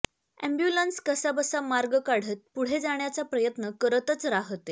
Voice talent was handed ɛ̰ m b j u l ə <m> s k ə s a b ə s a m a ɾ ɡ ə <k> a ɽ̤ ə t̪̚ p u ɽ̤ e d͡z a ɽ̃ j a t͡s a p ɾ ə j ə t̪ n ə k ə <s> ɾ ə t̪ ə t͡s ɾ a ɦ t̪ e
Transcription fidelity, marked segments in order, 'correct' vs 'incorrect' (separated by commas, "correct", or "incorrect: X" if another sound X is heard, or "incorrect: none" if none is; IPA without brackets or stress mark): incorrect: n, correct, incorrect: none